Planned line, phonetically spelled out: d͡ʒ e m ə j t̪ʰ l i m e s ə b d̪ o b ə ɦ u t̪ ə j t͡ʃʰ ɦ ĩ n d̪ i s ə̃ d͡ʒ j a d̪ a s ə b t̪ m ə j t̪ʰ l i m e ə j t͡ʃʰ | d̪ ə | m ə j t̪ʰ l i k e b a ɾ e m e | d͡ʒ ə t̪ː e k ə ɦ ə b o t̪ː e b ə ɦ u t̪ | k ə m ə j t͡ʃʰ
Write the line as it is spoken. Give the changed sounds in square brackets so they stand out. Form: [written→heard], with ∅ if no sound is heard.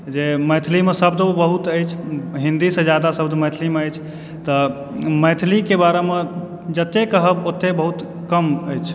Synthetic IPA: d͡ʒ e m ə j t̪ʰ l i m e s ə b d̪ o b ə ɦ u t̪ ə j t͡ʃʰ ɦ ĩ n d̪ i s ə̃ d͡ʒ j a d̪ a s ə b [t̪→d̪] m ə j t̪ʰ l i m e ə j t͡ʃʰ | [d̪→t̪] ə | m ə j t̪ʰ l i k e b a ɾ e m e | d͡ʒ ə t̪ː e k ə ɦ ə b o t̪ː e b ə ɦ u t̪ | k ə m ə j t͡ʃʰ

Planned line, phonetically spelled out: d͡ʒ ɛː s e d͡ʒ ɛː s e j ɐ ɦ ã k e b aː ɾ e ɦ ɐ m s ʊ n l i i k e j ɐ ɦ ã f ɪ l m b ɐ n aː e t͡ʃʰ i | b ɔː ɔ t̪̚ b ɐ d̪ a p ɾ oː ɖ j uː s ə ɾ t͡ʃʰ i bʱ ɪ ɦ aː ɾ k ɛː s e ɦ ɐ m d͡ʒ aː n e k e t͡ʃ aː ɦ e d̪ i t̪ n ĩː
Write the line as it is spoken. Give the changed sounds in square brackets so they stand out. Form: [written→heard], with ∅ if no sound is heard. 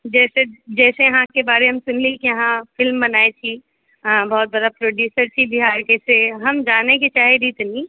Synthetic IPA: d͡ʒ ɛː s e d͡ʒ ɛː s e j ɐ ɦ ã k e b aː ɾ e ɦ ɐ m s ʊ n l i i k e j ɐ ɦ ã f ɪ l m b ɐ n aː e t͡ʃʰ i | b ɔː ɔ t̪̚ b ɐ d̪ a p ɾ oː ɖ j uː s ə ɾ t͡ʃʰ i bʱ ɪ ɦ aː ɾ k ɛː s e ɦ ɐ m d͡ʒ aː n e k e t͡ʃ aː ɦ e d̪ i t̪ n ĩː

